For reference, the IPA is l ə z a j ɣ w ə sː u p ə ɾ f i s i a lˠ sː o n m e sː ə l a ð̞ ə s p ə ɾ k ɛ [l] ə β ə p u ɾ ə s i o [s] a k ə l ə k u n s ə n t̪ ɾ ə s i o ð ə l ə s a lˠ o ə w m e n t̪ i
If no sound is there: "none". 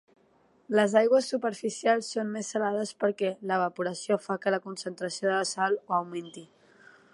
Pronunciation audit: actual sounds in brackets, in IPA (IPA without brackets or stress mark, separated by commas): l, f